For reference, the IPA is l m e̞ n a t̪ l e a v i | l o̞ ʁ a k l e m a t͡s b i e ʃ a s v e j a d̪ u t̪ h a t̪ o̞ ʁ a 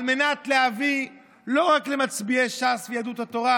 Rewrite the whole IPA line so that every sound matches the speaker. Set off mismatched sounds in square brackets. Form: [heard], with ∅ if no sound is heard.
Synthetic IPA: l m e̞ n a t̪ l e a v i | l o̞ ʁ a k l e m a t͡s b i e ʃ a s v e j a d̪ u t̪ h a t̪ o̞ ʁ a

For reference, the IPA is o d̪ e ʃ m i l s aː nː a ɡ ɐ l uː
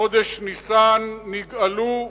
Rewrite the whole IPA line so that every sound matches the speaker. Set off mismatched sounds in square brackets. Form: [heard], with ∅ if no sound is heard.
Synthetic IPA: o d̪ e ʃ [n] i [∅] s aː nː [i] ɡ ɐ l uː

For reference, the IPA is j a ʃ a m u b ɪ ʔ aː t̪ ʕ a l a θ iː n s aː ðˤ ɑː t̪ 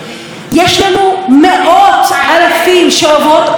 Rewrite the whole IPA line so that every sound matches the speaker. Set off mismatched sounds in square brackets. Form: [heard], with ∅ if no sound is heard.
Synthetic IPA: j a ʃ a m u [m] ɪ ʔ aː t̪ ʕ a l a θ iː n [ʃ] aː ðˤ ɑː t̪

